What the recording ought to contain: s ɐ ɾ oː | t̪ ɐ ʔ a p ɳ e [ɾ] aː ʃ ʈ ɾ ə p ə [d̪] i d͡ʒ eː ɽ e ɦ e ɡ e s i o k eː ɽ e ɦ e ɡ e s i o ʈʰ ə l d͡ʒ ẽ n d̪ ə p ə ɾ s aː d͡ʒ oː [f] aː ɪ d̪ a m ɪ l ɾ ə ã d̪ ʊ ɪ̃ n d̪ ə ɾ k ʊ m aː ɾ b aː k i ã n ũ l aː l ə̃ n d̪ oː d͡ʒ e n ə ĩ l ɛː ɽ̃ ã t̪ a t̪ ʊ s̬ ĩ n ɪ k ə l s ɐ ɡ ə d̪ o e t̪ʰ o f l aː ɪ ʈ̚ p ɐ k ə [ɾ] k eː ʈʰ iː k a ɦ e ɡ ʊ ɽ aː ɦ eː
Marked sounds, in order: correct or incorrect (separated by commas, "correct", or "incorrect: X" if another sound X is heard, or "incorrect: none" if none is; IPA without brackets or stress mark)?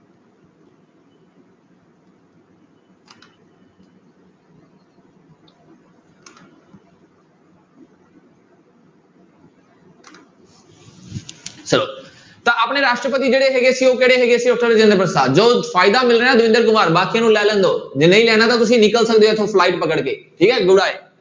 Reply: correct, incorrect: t̪, correct, incorrect: ɽ